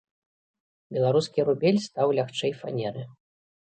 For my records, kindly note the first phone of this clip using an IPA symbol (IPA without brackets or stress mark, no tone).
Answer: bʲ